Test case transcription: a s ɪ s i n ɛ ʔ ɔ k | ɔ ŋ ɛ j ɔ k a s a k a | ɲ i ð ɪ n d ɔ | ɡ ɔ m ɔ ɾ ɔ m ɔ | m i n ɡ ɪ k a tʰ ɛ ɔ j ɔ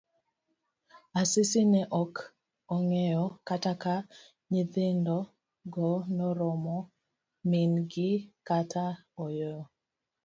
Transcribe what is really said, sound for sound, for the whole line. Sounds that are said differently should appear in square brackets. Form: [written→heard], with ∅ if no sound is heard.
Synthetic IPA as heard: a s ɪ s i n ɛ ʔ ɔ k | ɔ ŋ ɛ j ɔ k a [s→t] a k a | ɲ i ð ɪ n d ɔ | ɡ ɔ [m→n] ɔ ɾ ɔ m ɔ | m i n ɡ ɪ k a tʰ [ɛ→a] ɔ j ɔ